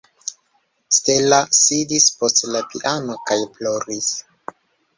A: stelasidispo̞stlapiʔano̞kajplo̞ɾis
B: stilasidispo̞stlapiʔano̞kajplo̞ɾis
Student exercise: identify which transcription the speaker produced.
A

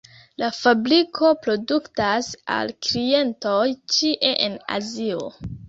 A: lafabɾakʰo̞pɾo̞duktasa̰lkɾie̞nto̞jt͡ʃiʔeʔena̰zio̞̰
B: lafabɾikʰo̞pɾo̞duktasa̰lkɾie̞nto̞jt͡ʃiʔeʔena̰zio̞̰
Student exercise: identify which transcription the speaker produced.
B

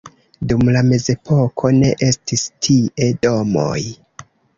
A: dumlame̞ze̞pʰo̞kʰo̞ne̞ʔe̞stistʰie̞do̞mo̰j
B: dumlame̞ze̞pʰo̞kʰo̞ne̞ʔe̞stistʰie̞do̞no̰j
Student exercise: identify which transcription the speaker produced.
A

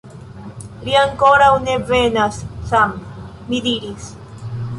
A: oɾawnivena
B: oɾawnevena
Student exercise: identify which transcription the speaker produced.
B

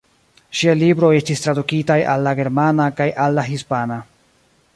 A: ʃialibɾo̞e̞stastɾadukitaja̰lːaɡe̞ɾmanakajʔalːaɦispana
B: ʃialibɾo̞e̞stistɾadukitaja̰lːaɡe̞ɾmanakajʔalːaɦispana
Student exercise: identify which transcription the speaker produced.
B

